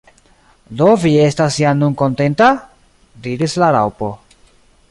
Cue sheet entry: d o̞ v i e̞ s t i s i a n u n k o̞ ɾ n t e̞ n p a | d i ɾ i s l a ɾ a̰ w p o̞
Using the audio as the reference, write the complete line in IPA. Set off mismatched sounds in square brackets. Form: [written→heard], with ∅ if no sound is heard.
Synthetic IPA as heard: d o̞ v i e̞ s t [i→a] s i a n u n k o̞ [ɾ→∅] n t e̞ n [p→t] a | d i ɾ i s l a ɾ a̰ w p o̞